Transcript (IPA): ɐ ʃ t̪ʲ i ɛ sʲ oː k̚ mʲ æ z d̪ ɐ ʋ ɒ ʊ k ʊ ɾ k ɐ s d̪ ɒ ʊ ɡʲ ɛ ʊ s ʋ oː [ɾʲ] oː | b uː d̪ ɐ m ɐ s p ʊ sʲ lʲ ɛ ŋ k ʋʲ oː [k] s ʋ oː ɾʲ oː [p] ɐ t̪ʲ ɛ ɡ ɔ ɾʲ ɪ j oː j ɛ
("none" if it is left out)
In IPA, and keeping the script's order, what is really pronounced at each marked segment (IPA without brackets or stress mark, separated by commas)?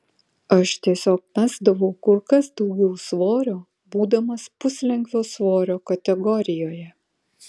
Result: ɾʲ, none, k